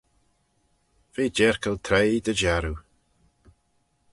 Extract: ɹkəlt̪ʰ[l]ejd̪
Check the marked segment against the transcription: incorrect: ɾ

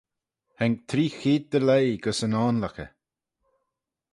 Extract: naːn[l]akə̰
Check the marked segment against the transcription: correct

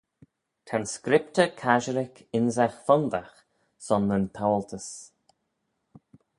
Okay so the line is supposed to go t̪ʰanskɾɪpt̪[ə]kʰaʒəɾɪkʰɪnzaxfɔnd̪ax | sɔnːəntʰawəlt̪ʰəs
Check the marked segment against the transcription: correct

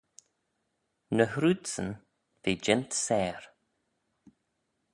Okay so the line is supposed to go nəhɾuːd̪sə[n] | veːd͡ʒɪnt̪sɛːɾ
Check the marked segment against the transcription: correct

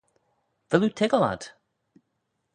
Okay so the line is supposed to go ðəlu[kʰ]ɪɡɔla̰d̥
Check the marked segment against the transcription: incorrect: tʰ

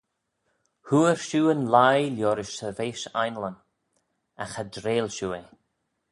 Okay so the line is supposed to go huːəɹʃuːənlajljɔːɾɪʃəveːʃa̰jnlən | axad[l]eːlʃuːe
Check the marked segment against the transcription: incorrect: ɾ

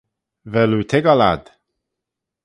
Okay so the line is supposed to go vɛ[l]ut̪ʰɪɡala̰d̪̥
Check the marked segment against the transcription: correct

